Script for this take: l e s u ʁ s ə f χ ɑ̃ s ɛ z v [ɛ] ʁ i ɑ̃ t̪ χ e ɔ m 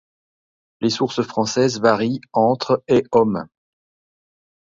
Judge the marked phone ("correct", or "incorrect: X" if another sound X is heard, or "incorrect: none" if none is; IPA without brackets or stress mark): incorrect: a